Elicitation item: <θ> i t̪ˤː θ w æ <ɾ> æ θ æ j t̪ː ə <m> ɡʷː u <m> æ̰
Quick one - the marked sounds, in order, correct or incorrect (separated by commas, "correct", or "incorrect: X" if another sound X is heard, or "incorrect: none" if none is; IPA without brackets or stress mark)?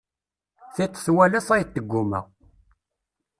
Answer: correct, incorrect: l, incorrect: none, correct